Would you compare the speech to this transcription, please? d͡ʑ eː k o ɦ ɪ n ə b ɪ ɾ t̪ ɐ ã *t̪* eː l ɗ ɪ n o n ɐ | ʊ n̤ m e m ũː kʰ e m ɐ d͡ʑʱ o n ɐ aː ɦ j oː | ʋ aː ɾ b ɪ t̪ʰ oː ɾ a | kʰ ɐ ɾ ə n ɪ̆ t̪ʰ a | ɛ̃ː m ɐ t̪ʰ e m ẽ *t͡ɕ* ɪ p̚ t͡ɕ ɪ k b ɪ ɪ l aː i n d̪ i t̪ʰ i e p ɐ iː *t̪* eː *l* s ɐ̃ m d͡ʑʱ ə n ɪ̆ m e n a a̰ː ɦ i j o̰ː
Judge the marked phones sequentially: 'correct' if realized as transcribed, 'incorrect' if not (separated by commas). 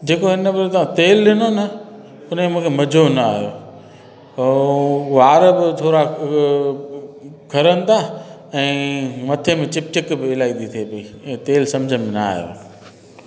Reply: correct, correct, correct, correct